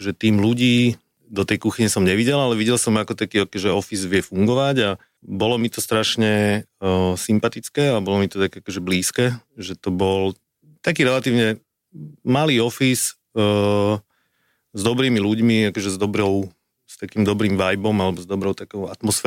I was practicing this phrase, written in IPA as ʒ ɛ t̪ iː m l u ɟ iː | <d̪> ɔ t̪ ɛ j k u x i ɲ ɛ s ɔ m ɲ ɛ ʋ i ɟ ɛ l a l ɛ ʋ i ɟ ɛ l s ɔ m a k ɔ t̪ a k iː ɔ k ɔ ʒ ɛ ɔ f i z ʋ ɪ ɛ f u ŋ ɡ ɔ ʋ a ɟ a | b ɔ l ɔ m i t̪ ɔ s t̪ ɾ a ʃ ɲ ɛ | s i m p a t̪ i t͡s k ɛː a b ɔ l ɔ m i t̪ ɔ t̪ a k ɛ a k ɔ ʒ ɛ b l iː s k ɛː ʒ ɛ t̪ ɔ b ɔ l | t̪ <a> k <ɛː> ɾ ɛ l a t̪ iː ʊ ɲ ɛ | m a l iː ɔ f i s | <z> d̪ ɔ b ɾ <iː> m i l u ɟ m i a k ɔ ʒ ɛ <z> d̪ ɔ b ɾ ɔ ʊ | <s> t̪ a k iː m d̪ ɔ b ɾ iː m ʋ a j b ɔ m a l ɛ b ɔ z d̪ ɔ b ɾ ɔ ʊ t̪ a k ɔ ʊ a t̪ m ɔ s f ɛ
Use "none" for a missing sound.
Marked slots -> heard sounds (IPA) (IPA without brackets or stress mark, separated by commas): d̪, a, iː, z, iː, z, s